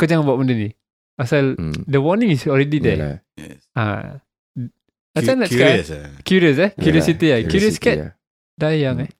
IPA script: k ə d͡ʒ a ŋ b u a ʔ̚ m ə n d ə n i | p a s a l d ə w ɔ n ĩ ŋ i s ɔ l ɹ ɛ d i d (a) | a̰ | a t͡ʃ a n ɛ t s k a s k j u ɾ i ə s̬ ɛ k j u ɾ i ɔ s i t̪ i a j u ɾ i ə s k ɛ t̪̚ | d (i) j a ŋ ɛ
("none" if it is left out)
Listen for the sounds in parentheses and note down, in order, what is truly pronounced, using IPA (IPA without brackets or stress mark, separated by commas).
ɛ, a